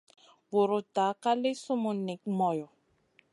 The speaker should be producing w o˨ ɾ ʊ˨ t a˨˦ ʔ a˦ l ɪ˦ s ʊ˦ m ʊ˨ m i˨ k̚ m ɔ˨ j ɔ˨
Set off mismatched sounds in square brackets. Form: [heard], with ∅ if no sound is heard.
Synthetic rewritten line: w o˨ ɾ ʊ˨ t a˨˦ [k] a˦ l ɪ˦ s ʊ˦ m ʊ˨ [n] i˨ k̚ m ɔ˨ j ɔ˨

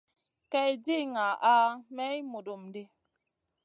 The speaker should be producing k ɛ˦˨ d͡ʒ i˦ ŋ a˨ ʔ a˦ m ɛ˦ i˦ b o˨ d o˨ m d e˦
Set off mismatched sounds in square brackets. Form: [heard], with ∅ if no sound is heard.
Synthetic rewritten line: k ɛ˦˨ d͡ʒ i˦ ŋ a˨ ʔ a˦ m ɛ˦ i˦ [m] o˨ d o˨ m d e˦

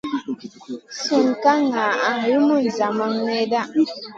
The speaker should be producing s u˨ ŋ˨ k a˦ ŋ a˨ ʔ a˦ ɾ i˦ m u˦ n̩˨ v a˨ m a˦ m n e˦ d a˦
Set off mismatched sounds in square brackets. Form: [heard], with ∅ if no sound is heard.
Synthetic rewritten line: s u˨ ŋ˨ k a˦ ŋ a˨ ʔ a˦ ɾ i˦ m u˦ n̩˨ [z] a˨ m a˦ [ŋ] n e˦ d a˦

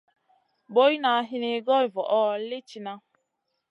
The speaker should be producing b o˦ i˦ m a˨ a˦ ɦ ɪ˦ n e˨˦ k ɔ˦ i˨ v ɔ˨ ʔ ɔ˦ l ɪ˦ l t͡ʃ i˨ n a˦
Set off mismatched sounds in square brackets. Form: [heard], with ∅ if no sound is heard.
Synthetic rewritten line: b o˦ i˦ [n] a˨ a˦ ɦ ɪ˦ n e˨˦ [ɡ] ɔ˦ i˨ v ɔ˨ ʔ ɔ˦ l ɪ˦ [∅] t͡ʃ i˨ n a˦

